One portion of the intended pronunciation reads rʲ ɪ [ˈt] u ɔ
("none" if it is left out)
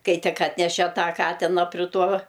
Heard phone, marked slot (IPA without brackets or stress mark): t